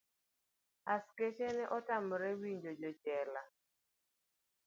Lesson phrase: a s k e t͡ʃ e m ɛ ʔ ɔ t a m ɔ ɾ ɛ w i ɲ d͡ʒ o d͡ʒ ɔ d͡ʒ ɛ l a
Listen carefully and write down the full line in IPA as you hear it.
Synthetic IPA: a s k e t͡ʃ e n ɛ ʔ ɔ t a m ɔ ɾ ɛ w i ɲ d͡ʒ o d͡ʒ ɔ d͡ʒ ɛ l a